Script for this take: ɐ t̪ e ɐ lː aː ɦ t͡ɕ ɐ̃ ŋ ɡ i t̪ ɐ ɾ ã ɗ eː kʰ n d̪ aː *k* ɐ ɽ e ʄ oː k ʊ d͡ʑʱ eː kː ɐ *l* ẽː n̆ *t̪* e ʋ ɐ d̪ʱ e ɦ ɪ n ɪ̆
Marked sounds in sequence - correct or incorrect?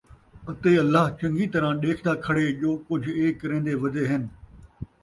incorrect: kʰ, incorrect: ɾ, incorrect: d̪

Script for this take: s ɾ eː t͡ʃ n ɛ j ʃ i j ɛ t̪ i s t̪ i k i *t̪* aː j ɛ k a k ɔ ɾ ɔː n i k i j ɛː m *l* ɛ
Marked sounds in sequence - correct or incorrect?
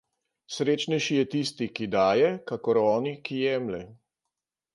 incorrect: d̪, correct

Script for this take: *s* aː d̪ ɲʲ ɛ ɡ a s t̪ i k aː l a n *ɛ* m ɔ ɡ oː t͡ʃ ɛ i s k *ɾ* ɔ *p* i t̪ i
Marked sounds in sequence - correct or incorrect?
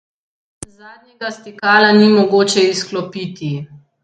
incorrect: z, incorrect: i, incorrect: l, correct

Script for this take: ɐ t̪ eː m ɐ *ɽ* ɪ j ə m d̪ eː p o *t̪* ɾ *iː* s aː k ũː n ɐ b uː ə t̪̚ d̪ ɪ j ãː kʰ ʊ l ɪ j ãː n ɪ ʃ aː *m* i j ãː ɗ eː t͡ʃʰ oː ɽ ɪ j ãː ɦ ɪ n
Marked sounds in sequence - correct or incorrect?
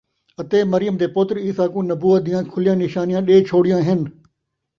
incorrect: ɾ, correct, correct, incorrect: n

